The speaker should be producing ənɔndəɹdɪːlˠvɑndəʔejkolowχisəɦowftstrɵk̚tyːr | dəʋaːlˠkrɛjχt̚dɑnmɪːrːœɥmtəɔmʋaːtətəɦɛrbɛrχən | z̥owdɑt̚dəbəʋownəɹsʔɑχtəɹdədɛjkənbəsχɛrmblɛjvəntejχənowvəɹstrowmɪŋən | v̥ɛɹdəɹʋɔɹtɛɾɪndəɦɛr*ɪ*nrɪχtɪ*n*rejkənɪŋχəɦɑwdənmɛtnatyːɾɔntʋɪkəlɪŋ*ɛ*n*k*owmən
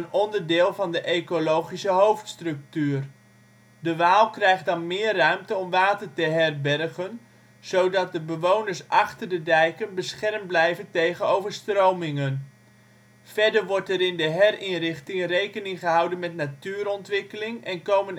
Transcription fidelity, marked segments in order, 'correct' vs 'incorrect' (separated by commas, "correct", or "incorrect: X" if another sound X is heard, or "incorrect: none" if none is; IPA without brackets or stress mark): correct, incorrect: ŋ, correct, correct